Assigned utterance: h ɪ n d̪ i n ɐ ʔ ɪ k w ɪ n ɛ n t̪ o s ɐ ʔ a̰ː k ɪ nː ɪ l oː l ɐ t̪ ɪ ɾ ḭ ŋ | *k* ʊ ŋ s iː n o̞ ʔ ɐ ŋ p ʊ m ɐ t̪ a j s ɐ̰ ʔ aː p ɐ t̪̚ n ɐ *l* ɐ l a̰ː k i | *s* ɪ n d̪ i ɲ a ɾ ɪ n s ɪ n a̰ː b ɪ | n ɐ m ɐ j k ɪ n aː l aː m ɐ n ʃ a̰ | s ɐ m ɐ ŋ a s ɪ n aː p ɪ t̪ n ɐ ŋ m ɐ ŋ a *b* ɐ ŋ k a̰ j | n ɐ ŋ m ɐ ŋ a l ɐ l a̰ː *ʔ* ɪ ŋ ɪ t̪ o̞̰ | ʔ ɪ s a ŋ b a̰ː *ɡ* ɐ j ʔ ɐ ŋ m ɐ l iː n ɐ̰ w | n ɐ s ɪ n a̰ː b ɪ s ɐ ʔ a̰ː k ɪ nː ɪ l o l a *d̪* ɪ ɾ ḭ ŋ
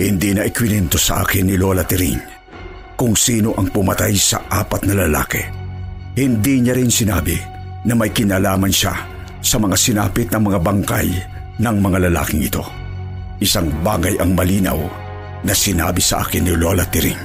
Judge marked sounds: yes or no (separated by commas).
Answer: yes, yes, no, yes, no, yes, no